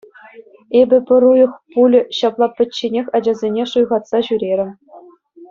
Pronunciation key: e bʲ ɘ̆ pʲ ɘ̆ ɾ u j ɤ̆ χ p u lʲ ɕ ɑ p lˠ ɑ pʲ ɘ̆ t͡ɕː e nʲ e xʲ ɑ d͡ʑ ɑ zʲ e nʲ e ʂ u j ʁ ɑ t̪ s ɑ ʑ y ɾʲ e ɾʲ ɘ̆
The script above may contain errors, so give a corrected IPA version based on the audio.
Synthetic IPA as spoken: e bʲ ɘ̆ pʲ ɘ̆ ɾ u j ɤ̆ χ p u lʲ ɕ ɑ p lˠ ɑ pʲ ɘ̆ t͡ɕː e nʲ e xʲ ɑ d͡ʑ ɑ zʲ e nʲ e ʂ u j ʁ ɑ t̪ s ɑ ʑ y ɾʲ e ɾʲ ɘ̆